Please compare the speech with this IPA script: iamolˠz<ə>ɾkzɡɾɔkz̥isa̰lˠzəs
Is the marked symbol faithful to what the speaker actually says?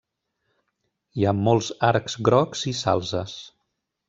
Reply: no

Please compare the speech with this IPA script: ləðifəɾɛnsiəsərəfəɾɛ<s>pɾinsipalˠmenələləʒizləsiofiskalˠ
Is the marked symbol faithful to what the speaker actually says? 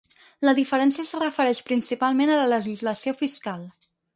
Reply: no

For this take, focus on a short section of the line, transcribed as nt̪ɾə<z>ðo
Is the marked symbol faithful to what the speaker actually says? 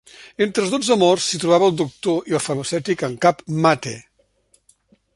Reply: yes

